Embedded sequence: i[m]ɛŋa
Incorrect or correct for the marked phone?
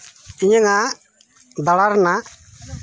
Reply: incorrect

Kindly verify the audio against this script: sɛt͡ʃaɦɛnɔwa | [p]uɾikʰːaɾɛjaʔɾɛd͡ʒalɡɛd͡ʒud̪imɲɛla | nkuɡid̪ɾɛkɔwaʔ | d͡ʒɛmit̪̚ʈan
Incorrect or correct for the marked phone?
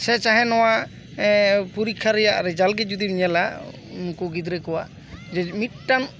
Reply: correct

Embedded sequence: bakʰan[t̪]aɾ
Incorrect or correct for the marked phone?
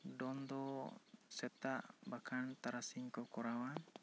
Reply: correct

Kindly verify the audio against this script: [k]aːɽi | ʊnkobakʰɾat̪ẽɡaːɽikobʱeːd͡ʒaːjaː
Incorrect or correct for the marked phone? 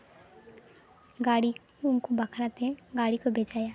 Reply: incorrect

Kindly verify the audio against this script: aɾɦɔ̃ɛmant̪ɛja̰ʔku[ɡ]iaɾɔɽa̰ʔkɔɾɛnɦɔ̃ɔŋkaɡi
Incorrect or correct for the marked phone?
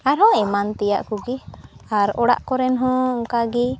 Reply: correct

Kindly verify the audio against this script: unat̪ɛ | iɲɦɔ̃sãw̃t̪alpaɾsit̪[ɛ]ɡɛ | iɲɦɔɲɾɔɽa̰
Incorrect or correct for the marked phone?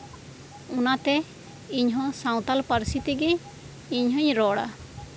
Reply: incorrect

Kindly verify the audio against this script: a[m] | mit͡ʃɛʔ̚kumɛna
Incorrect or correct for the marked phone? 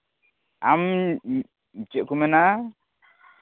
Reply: correct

